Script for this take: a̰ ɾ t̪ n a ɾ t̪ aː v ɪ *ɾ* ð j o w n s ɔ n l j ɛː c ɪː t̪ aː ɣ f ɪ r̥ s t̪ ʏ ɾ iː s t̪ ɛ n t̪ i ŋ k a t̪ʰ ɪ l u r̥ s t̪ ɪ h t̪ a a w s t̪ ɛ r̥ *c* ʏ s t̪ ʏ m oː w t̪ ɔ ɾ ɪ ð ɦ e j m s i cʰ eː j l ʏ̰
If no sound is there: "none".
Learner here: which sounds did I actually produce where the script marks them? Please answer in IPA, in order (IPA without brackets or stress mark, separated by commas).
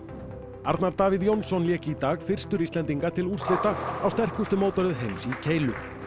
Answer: none, k